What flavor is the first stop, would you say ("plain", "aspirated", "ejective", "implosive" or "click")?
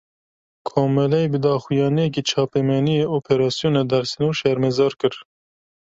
aspirated